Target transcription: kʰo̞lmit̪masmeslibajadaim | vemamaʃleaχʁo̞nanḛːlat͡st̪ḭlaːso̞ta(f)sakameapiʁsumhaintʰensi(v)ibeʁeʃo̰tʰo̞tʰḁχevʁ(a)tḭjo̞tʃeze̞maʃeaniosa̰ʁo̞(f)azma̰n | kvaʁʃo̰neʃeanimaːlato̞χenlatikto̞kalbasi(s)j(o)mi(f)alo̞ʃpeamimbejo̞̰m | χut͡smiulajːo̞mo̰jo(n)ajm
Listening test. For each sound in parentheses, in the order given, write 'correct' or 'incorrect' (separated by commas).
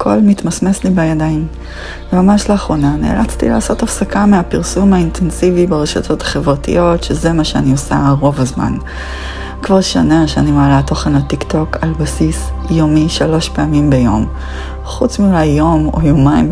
correct, correct, correct, incorrect, correct, correct, incorrect, incorrect